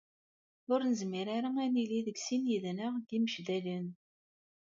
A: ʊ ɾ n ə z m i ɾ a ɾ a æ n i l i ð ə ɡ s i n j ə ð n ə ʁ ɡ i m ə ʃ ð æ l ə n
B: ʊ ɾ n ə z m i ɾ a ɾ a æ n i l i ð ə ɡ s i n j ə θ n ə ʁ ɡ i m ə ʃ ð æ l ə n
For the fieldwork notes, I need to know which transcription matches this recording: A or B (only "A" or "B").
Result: A